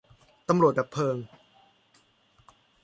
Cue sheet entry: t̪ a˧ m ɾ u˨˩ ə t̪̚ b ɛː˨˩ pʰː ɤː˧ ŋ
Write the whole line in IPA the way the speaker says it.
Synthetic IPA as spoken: t̪ a˧ m ɾ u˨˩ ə t̪̚ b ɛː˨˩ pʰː ɤː˧ ŋ